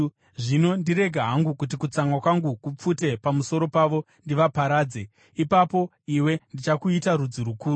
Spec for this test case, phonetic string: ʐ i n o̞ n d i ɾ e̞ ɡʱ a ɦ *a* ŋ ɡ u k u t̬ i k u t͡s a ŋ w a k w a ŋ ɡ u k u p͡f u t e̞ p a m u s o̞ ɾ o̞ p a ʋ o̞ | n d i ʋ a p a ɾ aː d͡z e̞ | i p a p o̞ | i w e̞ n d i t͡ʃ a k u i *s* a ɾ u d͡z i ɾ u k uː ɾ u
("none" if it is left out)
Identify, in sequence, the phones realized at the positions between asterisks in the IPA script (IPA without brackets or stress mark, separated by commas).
a, t